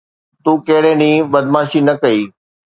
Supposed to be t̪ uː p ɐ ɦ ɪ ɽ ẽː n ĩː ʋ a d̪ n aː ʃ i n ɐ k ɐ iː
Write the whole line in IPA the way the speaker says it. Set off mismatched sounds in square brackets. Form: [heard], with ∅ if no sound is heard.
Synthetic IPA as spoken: t̪ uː [k] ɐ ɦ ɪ ɽ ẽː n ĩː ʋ [ɐ] d̪ [m] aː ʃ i n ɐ k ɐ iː